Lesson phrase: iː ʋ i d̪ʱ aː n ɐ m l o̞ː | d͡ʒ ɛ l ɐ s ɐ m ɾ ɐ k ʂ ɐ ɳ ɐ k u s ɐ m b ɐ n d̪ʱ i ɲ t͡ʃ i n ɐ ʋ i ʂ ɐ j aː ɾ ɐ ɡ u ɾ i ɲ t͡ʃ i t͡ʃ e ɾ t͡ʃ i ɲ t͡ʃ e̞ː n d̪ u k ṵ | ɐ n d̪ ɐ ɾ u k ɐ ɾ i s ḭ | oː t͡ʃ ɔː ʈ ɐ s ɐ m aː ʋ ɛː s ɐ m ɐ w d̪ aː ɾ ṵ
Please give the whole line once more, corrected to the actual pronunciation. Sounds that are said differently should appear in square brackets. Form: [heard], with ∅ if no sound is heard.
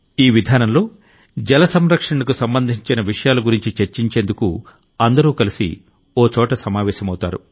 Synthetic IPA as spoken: iː ʋ i d̪ʱ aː n ɐ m l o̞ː | d͡ʒ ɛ l ɐ s ɐ m ɾ ɐ k ʂ ɐ ɳ ɐ k u s ɐ m b ɐ n d̪ʱ i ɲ t͡ʃ i n ɐ ʋ i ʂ ɐ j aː [l] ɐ ɡ u ɾ i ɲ t͡ʃ i t͡ʃ e ɾ t͡ʃ i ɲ t͡ʃ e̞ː n d̪ u k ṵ | ɐ n d̪ ɐ ɾ [uː] k ɐ [l] i s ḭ | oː t͡ʃ ɔː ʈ ɐ s ɐ m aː ʋ ɛː [ʃ] ɐ m ɐ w [t̪] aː ɾ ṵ

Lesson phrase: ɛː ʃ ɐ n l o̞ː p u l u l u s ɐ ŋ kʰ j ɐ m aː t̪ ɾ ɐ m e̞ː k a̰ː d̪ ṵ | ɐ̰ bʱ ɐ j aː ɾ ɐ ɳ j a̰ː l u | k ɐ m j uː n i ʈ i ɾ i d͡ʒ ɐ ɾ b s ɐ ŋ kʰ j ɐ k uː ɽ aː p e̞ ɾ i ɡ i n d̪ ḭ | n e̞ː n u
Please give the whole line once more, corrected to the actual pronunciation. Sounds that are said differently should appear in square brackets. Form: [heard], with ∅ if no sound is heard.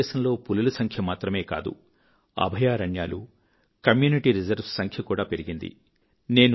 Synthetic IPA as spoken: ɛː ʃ ɐ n l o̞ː p u l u l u s ɐ ŋ kʰ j ɐ m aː t̪ ɾ ɐ m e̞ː k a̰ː d̪ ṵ | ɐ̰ bʱ ɐ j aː ɾ ɐ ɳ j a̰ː l u | k ɐ m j uː n i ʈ i ɾ i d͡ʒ ɐ ɾ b s ɐ ŋ kʰ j ɐ k uː ɽ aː p e̞ ɾ i ɡ i n d̪ ḭ | n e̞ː n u

